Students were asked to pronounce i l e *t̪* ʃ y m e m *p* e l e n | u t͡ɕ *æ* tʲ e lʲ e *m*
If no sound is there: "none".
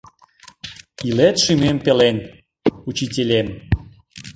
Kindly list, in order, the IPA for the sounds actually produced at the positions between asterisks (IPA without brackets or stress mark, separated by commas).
t̪, p, i, m